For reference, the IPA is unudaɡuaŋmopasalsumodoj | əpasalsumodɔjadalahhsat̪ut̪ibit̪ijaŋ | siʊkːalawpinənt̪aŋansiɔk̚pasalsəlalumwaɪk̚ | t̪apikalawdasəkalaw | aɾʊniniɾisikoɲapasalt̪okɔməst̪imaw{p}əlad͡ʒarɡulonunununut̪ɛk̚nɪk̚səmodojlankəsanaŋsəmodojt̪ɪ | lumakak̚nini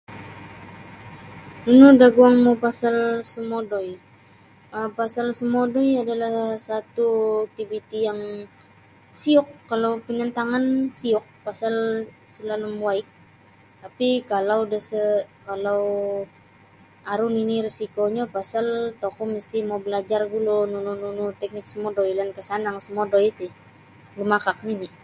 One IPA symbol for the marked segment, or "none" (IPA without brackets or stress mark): b